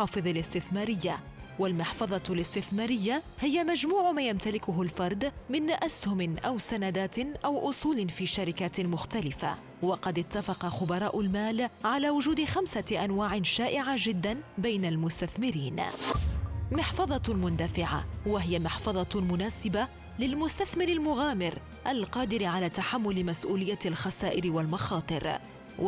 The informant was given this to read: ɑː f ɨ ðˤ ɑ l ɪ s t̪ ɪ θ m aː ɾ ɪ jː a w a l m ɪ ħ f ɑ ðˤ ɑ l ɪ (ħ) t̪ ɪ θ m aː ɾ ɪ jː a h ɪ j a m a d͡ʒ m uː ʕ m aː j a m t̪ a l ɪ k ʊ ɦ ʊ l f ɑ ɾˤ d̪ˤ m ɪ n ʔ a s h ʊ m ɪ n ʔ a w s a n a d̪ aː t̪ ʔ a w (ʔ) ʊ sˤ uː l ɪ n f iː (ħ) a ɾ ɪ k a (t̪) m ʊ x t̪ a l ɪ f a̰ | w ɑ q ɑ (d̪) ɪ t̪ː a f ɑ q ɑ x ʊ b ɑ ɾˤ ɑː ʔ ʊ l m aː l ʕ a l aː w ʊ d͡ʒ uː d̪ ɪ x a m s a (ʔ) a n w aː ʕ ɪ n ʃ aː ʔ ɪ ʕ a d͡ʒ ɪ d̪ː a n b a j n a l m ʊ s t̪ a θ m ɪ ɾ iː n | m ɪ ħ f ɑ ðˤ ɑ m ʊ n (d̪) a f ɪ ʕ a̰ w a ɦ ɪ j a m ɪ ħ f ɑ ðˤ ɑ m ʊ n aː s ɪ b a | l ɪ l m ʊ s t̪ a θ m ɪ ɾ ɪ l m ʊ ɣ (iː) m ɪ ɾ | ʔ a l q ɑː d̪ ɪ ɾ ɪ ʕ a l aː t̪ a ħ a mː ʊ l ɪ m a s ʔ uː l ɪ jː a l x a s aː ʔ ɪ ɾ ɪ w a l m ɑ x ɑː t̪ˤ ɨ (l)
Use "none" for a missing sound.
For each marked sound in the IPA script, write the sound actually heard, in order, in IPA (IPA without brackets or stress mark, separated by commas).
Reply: s, ʔ, ʃ, t̪, d̪, ʔ, d̪, aː, ɾ